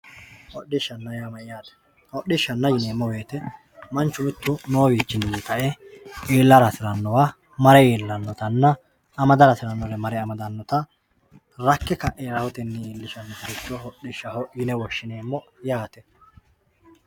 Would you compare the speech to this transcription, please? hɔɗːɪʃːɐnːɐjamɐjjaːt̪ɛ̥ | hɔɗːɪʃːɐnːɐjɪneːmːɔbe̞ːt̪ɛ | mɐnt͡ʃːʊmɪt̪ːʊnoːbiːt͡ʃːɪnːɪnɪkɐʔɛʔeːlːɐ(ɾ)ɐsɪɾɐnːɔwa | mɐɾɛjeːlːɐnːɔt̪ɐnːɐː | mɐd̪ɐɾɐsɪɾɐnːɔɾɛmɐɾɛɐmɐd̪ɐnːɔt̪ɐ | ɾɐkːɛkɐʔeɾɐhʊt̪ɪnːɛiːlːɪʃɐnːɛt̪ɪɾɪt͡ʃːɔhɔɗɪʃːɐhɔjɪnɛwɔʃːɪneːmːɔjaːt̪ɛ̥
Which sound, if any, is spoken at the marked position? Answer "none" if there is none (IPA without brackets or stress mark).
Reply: ɾ